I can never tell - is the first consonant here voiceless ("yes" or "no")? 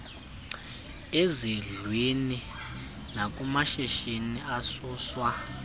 no